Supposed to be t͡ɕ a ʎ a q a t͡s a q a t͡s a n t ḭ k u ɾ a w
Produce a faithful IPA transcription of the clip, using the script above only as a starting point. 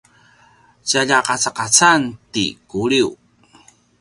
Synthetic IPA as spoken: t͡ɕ a ʎ a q a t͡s a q a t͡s a n t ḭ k u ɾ i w